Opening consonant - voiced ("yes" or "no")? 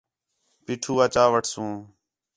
no